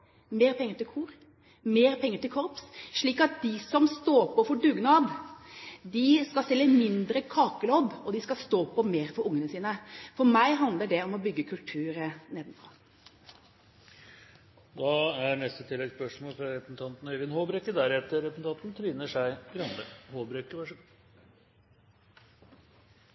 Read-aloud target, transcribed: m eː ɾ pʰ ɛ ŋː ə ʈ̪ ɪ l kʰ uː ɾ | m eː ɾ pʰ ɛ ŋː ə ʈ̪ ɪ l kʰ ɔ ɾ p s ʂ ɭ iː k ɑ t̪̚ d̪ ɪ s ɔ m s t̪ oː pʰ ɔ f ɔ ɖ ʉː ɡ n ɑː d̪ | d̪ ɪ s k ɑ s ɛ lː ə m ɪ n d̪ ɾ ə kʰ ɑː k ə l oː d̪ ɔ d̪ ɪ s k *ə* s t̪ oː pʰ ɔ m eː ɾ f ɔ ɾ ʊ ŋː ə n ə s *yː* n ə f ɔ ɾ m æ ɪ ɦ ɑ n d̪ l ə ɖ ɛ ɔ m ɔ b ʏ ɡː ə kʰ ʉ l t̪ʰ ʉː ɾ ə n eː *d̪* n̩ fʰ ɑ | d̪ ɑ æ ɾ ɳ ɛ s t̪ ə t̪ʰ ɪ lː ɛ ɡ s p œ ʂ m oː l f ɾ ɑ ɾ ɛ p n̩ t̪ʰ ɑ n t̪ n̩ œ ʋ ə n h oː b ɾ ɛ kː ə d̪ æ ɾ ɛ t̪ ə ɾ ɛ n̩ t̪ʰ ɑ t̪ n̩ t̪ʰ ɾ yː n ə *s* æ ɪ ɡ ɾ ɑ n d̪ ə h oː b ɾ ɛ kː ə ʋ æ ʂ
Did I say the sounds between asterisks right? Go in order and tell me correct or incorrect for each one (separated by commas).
incorrect, incorrect, correct, incorrect